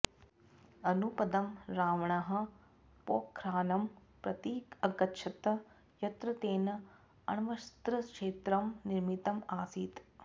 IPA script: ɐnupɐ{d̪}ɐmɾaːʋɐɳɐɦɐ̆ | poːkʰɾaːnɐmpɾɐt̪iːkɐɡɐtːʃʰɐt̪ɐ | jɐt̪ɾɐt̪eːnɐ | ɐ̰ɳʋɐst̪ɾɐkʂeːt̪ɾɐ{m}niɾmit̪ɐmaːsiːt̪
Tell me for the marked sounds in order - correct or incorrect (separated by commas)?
correct, correct